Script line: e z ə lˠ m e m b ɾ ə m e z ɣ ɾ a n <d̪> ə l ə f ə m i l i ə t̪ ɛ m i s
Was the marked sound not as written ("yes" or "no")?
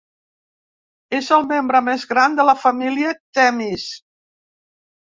no